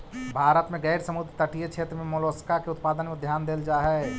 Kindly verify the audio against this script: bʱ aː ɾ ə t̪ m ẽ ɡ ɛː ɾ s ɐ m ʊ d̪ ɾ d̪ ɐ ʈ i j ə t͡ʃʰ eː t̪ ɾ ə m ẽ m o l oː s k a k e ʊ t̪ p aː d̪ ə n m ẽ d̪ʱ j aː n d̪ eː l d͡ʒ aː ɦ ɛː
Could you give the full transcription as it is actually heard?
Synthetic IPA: bʱ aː ɾ ə t̪ m ẽ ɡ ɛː ɾ s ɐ m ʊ d̪ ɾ t̪ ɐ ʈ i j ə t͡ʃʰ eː t̪ ɾ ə m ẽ m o l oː s k a k e ʊ t̪ p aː d̪ ə n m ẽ d̪ʱ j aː n d̪ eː l d͡ʒ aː ɦ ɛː